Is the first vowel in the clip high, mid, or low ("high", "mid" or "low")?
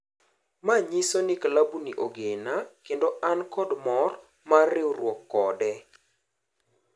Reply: low